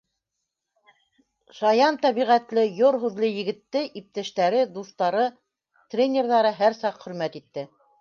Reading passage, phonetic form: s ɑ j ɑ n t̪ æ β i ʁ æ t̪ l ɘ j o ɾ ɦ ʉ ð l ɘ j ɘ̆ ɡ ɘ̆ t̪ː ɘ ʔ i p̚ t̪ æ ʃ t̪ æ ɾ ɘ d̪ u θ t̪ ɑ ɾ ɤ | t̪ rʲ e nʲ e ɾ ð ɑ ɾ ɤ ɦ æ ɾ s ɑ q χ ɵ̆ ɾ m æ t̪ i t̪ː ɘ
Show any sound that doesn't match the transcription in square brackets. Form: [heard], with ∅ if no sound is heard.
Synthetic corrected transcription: [ʃ] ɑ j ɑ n t̪ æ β i ʁ æ t̪ l ɘ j o ɾ ɦ ʉ ð l ɘ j ɘ̆ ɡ ɘ̆ t̪ː ɘ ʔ i p̚ t̪ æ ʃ t̪ æ ɾ ɘ d̪ u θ t̪ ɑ ɾ ɤ | t̪ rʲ e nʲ e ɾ ð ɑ ɾ ɤ ɦ æ ɾ s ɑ q χ ɵ̆ ɾ m æ t̪ i t̪ː ɘ